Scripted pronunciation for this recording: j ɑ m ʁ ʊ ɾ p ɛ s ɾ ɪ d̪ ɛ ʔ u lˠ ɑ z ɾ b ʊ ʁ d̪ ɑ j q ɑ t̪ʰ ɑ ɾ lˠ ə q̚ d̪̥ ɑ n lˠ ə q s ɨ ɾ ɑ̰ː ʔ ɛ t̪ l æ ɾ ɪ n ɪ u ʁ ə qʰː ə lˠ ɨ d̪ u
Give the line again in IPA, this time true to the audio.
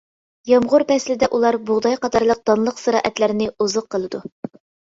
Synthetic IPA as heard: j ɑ m ʁ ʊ ɾ p ɛ s l ɪ d̪ ɛ ʔ u lˠ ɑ ɾ b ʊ ʁ d̪ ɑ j q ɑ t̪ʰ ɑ ɾ lˠ ə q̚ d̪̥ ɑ n lˠ ə q s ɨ ɾ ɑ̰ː ʔ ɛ t̪ l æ ɾ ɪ n ɪ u z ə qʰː ə lˠ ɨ d̪ u